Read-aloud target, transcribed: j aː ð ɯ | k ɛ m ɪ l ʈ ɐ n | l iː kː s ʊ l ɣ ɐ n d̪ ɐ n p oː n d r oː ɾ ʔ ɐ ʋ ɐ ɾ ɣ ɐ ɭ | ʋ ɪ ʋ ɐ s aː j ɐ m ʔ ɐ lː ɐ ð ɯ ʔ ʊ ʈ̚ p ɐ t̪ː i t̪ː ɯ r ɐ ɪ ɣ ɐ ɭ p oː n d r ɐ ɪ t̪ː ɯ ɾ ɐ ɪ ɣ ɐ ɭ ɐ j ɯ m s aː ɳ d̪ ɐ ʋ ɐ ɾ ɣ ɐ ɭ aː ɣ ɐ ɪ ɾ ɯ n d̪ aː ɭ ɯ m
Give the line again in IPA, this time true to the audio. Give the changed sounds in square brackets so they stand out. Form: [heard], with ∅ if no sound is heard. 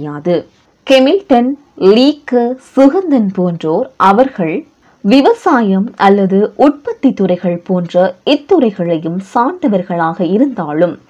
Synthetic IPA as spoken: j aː ð ɯ | k ɛ m ɪ l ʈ ɐ n | l iː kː s ʊ [∅] ɣ ɐ n d̪ ɐ n p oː n d r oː ɾ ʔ ɐ ʋ ɐ ɾ ɣ ɐ ɭ | ʋ ɪ ʋ ɐ s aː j ɐ m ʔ ɐ lː ɐ ð ɯ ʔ ʊ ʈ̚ p ɐ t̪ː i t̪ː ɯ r ɐ ɪ ɣ ɐ ɭ p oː n d r ɐ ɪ t̪ː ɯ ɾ ɐ ɪ ɣ ɐ ɭ ɐ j ɯ m s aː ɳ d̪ ɐ ʋ ɐ ɾ ɣ ɐ ɭ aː ɣ ɐ ɪ ɾ ɯ n d̪ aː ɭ ɯ m